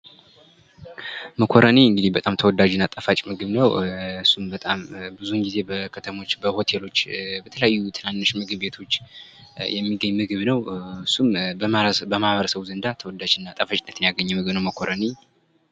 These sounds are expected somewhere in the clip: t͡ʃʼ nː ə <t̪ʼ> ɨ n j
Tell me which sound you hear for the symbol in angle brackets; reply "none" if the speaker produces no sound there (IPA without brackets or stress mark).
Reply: t̪